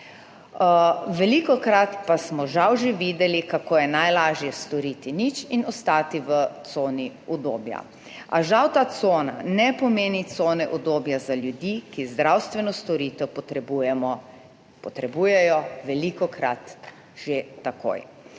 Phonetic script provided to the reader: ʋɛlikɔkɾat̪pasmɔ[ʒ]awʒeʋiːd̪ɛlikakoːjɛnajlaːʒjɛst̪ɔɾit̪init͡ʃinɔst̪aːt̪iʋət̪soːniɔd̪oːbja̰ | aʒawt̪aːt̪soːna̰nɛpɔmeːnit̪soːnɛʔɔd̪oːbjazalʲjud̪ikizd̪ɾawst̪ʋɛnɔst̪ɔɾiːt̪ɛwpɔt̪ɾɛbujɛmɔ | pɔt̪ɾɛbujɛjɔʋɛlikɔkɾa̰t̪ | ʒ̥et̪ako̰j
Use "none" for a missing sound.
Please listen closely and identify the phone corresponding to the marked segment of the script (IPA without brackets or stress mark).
ʒ